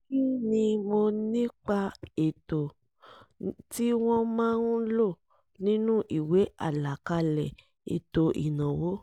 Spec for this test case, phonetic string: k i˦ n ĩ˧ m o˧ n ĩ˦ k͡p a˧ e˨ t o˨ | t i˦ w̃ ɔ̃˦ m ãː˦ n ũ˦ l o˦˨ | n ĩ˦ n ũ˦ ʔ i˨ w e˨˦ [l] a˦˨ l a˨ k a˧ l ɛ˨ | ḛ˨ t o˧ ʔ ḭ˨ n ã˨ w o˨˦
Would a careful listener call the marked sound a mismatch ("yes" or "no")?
yes